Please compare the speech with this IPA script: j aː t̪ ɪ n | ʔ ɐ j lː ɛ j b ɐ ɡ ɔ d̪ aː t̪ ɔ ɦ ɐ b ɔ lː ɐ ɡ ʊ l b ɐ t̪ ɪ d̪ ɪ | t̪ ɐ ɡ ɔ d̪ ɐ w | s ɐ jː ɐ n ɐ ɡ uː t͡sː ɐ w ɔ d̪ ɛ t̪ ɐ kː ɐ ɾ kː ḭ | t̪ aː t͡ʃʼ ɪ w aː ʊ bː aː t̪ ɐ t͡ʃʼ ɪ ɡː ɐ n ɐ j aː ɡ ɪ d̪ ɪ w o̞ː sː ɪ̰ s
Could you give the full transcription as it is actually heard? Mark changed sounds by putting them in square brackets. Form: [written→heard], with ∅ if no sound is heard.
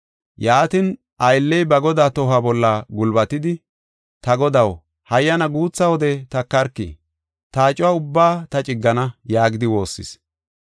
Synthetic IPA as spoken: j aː t̪ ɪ n | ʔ ɐ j lː ɛ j b ɐ ɡ ɔ d̪ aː t̪ ɔ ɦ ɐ b ɔ lː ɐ ɡ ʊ l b ɐ t̪ ɪ d̪ ɪ | t̪ ɐ ɡ ɔ d̪ ɐ w | [s→h] ɐ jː ɐ n ɐ ɡ uː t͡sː ɐ w ɔ d̪ ɛ t̪ ɐ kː ɐ ɾ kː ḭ | t̪ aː t͡ʃʼ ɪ w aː ʊ bː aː t̪ ɐ t͡ʃʼ ɪ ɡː ɐ n ɐ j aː ɡ ɪ d̪ ɪ w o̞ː sː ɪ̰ s

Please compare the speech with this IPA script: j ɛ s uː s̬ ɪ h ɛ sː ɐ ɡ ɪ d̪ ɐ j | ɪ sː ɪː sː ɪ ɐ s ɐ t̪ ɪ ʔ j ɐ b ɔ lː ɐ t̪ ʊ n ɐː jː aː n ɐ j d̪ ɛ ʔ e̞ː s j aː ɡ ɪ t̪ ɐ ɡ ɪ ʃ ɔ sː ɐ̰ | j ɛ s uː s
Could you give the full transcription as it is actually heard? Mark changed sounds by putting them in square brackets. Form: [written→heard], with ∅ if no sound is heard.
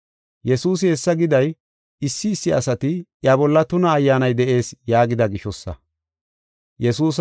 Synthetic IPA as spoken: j ɛ s uː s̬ ɪ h ɛ sː ɐ ɡ ɪ d̪ ɐ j | ɪ sː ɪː sː ɪ ɐ s ɐ t̪ ɪ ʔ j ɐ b ɔ lː ɐ t̪ ʊ n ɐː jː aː n ɐ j d̪ ɛ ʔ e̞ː s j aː ɡ ɪ [t̪→d̪] ɐ ɡ ɪ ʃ ɔ sː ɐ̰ | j ɛ s uː s

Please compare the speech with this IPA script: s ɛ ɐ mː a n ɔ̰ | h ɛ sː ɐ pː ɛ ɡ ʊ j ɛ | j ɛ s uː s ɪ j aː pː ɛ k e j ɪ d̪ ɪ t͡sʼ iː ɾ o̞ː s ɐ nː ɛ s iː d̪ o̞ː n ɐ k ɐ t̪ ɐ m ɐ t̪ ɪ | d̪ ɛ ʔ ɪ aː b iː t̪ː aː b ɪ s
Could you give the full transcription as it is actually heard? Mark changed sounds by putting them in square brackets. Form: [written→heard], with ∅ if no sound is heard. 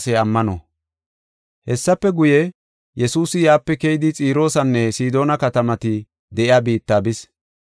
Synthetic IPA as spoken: s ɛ ɐ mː [a→ɐ] n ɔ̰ | h ɛ sː ɐ pː ɛ ɡ ʊ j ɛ | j ɛ s uː s ɪ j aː pː ɛ k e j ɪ d̪ ɪ t͡sʼ iː ɾ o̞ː s ɐ nː ɛ s iː d̪ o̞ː n ɐ k ɐ t̪ ɐ m ɐ t̪ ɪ | d̪ ɛ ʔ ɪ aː b iː t̪ː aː b ɪ s

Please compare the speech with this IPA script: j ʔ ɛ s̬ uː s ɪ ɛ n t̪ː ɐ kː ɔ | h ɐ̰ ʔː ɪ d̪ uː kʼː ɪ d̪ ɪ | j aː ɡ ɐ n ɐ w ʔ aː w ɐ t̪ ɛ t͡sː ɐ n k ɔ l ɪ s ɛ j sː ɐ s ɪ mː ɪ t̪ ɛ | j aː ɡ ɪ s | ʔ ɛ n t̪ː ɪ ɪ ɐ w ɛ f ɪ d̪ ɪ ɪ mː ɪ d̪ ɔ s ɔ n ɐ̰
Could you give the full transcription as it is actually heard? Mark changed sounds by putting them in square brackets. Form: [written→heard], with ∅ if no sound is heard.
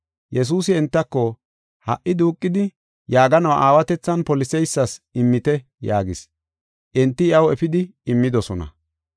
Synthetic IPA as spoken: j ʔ ɛ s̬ uː s ɪ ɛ n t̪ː ɐ kː ɔ | h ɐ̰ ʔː ɪ d̪ uː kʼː ɪ d̪ ɪ | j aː ɡ ɐ n ɐ w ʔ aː w ɐ t̪ ɛ t͡sː ɐ n [k→p] ɔ l ɪ s ɛ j sː ɐ s ɪ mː ɪ t̪ ɛ | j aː ɡ ɪ s | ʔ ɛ n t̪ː ɪ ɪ ɐ w ɛ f ɪ d̪ ɪ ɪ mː ɪ d̪ ɔ s ɔ n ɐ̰

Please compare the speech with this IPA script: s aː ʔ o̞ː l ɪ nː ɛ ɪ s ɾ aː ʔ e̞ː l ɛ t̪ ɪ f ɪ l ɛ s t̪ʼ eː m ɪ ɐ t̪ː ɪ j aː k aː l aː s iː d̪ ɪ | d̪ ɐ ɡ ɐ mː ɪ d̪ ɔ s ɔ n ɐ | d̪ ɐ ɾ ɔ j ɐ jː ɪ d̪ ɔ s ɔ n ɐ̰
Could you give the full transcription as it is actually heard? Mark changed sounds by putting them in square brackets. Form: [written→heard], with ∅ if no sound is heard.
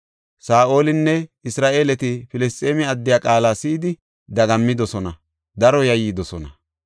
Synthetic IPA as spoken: s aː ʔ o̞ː l ɪ nː ɛ ɪ s ɾ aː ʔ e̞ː l ɛ t̪ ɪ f ɪ l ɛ s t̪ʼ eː m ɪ ɐ [t̪ː→d̪ː] ɪ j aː [k→kʼ] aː l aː s iː d̪ ɪ | d̪ ɐ ɡ ɐ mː ɪ d̪ ɔ s ɔ n ɐ | d̪ ɐ ɾ ɔ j ɐ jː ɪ d̪ ɔ s ɔ n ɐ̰

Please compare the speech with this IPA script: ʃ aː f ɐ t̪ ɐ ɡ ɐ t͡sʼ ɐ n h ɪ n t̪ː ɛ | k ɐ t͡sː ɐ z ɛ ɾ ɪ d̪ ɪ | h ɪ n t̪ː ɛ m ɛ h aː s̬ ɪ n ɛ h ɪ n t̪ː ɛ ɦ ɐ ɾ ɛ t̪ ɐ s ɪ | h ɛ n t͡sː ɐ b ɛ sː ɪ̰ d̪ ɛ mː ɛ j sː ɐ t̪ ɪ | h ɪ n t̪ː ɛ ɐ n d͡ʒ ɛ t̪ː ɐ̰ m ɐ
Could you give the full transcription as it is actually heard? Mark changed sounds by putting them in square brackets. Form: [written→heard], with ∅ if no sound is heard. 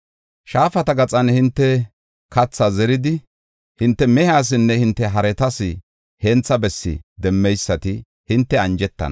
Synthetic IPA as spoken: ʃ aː f ɐ t̪ ɐ ɡ ɐ t͡sʼ ɐ n h ɪ n t̪ː ɛ | k ɐ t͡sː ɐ z ɛ ɾ ɪ d̪ ɪ | h ɪ n t̪ː ɛ m ɛ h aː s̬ ɪ [n→nː] ɛ h ɪ n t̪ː ɛ ɦ ɐ ɾ ɛ t̪ ɐ s ɪ | h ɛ n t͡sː ɐ b ɛ sː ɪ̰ d̪ ɛ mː ɛ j sː ɐ t̪ ɪ | h ɪ n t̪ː ɛ ɐ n d͡ʒ ɛ t̪ː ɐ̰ [m→n] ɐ

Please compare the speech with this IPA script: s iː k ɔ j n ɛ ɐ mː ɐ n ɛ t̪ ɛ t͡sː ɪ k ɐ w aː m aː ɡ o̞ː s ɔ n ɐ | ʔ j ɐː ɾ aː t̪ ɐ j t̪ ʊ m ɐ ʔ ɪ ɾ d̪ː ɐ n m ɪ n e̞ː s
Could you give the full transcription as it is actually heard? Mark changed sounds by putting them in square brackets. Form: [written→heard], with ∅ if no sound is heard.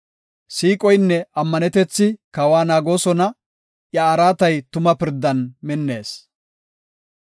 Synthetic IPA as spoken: s iː [k→kʼ] ɔ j [n→nː] ɛ ɐ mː ɐ n ɛ t̪ ɛ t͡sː ɪ k ɐ w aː [m→n] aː ɡ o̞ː s ɔ n ɐ | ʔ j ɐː ɾ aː t̪ ɐ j t̪ ʊ m ɐ [ʔ→p] ɪ ɾ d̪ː ɐ n m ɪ [n→nː] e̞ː s

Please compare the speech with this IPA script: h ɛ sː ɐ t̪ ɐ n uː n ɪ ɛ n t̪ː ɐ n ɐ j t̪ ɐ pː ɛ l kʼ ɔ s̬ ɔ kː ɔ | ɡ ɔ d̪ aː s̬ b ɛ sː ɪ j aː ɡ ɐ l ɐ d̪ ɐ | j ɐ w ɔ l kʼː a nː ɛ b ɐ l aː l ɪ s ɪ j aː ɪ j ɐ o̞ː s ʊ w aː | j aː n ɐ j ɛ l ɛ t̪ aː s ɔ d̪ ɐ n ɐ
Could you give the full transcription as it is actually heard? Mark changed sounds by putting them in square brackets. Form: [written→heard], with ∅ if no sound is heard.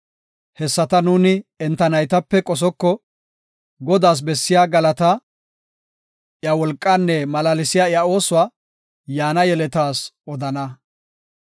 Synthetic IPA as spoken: h ɛ sː ɐ t̪ ɐ n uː n ɪ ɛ n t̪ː ɐ n ɐ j t̪ ɐ pː ɛ [l→∅] kʼ ɔ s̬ ɔ kː ɔ | ɡ ɔ d̪ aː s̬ b ɛ sː ɪ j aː ɡ ɐ l ɐ [d̪→t̪] ɐ | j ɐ w ɔ l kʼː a nː ɛ [b→m] ɐ l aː l ɪ s ɪ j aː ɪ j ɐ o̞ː s ʊ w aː | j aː n ɐ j ɛ l ɛ t̪ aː s ɔ d̪ ɐ n ɐ

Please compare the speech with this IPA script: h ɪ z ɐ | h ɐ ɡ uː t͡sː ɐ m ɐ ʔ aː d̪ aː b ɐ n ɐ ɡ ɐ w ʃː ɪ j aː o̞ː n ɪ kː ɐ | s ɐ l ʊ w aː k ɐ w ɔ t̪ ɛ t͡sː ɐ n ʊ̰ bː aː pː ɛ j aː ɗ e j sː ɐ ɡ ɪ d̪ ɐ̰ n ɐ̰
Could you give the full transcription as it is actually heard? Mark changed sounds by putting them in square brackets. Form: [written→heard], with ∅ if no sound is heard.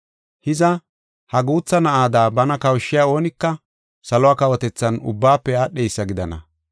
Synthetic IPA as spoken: h ɪ z ɐ | h ɐ ɡ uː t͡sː ɐ [m→n] ɐ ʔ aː d̪ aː b ɐ n ɐ [ɡ→k] ɐ w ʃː ɪ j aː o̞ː n ɪ kː ɐ | s ɐ l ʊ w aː k ɐ w ɔ t̪ ɛ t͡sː ɐ n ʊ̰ bː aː pː ɛ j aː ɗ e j sː ɐ ɡ ɪ d̪ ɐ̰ n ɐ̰

